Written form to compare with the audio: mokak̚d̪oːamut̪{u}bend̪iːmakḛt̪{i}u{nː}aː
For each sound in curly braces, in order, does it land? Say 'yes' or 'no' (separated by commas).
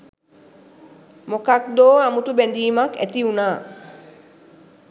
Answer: yes, yes, no